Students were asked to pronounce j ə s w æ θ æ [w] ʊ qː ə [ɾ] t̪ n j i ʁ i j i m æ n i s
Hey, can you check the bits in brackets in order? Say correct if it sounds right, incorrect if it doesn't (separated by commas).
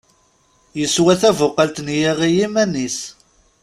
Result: incorrect, incorrect